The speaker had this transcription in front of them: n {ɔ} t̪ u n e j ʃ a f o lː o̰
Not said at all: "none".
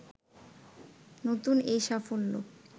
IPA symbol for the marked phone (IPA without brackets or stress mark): o